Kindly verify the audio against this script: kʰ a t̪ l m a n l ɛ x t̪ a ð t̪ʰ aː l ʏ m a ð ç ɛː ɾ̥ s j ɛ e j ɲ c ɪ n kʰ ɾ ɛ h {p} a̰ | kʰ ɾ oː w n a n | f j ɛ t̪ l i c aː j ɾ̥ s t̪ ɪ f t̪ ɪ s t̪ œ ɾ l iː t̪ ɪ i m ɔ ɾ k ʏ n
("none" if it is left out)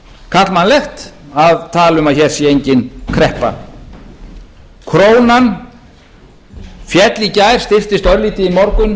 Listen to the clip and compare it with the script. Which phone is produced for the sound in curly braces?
p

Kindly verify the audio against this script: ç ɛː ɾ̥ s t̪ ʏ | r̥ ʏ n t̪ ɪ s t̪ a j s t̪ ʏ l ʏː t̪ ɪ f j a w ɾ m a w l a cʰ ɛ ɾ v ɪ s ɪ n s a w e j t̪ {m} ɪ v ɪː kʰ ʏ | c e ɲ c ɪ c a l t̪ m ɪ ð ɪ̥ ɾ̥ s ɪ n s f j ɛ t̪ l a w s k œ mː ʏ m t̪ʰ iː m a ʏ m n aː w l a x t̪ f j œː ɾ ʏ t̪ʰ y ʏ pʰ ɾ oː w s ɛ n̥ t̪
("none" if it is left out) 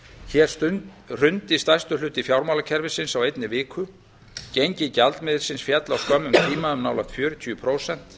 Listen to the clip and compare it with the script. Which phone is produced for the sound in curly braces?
n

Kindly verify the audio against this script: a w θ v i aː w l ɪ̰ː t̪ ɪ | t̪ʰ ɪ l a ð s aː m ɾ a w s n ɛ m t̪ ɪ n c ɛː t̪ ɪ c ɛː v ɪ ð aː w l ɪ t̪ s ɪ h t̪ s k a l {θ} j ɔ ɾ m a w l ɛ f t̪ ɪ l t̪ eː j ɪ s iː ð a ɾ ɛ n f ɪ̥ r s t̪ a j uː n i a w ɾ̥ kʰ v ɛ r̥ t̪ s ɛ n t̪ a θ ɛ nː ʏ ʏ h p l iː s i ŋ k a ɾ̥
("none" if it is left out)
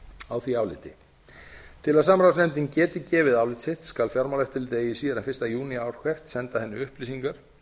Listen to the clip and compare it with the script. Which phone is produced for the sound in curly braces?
f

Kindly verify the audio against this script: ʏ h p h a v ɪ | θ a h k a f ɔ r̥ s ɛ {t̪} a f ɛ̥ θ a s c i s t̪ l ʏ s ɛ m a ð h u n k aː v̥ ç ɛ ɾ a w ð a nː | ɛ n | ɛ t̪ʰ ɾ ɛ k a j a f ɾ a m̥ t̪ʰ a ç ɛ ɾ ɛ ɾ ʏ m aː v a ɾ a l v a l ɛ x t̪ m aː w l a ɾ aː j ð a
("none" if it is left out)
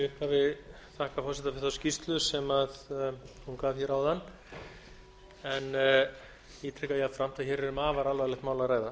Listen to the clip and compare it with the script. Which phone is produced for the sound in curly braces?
t̪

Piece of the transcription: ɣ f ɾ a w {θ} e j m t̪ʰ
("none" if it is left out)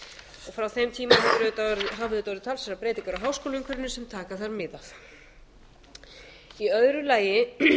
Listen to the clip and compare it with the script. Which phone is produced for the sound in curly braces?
θ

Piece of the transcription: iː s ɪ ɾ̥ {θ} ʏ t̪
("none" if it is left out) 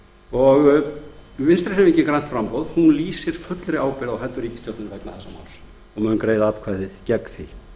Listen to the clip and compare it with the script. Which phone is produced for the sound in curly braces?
f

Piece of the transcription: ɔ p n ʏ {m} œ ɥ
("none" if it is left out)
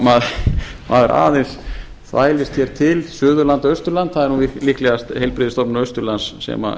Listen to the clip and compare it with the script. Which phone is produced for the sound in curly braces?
none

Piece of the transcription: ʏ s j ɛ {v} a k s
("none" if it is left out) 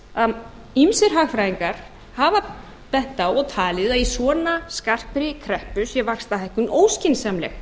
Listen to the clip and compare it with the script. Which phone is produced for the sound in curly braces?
v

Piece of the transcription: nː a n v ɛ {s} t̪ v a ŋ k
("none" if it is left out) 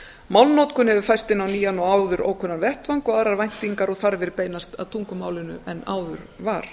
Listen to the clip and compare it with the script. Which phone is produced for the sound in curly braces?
h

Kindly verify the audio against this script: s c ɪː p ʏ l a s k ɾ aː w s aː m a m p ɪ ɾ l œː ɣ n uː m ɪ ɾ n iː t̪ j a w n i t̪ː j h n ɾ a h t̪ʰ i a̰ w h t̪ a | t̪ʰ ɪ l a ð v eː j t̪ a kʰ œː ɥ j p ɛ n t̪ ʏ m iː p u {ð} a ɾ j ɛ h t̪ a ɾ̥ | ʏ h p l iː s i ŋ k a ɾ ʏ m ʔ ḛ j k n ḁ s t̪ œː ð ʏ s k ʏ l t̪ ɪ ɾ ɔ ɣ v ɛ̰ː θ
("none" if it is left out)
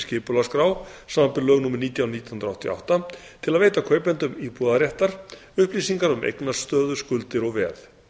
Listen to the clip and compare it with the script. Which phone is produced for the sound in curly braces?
ð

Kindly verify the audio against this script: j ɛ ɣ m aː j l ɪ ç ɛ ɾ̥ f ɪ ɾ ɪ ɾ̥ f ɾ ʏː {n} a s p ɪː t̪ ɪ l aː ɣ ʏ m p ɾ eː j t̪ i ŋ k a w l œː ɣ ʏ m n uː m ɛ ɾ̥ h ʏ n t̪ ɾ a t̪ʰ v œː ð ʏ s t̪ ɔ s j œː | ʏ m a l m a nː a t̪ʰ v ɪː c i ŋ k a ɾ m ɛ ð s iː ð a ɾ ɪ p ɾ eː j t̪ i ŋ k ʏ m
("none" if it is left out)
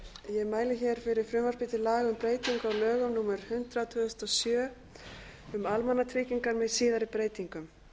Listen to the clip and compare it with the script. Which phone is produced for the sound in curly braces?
m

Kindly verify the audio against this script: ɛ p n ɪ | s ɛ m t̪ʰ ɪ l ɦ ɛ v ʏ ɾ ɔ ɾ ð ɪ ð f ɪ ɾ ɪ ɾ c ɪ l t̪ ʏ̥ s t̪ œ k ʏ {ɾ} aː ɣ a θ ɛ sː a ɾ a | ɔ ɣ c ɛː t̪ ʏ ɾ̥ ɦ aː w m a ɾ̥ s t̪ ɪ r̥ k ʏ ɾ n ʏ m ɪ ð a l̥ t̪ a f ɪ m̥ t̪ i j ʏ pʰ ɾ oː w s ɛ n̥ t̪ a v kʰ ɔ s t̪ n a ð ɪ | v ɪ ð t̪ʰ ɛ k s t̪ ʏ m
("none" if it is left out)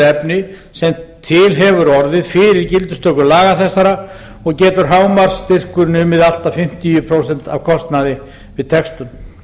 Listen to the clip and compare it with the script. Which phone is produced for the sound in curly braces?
l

